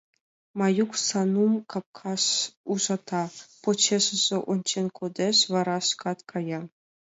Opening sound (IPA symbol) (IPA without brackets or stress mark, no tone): m